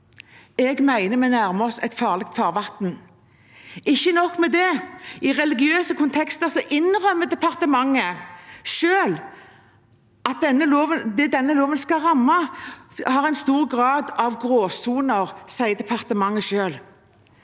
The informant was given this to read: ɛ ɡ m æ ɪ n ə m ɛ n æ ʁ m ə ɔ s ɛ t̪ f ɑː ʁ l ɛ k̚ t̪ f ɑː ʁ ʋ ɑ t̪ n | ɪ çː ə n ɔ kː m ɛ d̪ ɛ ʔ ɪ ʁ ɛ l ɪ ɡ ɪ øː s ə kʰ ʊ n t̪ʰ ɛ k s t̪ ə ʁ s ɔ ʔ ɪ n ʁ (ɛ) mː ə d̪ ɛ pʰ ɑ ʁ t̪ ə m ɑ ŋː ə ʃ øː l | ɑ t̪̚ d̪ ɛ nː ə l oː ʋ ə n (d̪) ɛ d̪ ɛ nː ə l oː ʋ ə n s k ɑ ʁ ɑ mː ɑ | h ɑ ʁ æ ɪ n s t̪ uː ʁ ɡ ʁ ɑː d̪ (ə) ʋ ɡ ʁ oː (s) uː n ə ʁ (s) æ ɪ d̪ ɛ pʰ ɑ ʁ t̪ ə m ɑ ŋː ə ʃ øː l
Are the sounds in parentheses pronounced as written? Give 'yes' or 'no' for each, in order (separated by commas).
no, yes, no, yes, yes